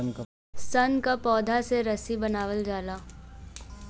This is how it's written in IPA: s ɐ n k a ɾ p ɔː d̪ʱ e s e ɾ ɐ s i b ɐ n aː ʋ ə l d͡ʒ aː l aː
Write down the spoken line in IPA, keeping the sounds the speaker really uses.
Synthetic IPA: s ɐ n k a p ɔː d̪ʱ a s e ɾ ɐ s i b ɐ n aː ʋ ə l d͡ʒ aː l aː